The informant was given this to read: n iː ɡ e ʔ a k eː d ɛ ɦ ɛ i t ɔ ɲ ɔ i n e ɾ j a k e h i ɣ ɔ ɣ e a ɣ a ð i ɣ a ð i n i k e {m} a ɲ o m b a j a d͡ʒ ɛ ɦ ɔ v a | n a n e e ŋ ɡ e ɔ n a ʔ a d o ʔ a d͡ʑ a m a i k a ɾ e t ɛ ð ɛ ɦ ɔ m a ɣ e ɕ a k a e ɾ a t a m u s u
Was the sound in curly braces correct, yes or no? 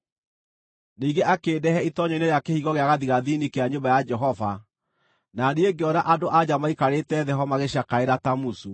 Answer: no